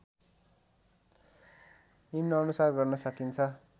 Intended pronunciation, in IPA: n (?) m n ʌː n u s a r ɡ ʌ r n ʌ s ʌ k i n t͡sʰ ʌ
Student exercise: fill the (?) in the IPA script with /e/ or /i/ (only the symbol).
i